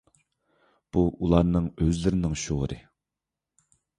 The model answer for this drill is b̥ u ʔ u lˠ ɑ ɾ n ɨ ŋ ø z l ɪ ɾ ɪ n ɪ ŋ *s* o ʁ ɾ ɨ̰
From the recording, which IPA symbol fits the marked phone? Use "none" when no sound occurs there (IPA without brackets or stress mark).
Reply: ʃ